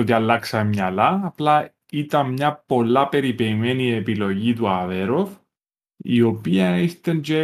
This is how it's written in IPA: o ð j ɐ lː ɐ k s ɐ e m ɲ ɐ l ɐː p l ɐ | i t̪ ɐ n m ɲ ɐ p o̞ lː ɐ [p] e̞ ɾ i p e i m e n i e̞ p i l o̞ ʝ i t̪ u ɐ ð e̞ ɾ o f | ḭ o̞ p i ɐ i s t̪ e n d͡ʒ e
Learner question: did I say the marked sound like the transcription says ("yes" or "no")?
yes